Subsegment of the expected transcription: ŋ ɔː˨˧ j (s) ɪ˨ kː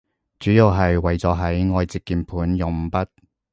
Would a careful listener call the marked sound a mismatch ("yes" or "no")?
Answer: yes